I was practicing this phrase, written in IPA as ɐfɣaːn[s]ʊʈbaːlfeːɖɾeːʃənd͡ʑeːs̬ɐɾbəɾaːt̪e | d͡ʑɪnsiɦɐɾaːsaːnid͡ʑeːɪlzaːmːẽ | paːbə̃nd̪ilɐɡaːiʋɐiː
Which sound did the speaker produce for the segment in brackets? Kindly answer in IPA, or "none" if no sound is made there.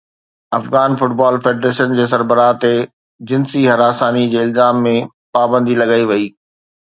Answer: f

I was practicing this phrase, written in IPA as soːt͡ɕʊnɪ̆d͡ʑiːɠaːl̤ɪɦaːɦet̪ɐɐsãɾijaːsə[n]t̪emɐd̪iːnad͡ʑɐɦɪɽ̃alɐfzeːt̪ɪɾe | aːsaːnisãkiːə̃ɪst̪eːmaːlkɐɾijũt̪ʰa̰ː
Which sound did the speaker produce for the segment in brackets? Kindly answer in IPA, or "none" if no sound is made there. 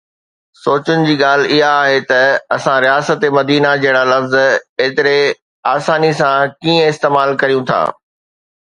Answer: none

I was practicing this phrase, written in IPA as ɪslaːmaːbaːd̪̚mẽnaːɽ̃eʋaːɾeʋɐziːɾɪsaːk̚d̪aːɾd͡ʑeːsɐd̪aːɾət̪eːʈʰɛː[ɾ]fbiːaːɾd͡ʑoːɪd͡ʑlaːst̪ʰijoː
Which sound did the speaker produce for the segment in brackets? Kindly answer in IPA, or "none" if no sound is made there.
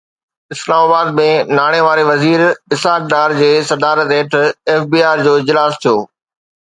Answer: none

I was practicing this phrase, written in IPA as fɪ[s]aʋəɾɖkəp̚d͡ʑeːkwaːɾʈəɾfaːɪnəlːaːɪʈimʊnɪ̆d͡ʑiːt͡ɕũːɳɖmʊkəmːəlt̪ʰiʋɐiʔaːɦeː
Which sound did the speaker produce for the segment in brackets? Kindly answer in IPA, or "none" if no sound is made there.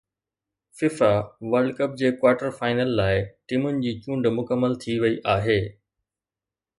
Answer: f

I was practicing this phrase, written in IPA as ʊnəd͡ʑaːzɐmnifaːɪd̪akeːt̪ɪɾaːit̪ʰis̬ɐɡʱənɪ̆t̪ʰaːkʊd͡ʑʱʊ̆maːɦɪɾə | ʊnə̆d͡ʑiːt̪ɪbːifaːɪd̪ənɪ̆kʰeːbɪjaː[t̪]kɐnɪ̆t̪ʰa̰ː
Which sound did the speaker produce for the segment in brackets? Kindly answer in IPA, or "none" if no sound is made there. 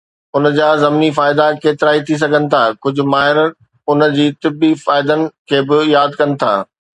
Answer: d̪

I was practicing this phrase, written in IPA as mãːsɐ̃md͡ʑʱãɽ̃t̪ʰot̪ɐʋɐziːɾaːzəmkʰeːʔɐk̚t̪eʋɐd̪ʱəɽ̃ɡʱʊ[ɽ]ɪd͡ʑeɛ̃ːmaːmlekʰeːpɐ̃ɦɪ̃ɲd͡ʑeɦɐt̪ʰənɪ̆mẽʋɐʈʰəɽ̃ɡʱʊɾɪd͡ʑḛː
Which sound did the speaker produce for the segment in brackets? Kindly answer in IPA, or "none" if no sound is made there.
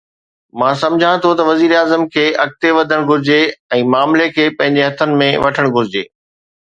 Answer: ɾ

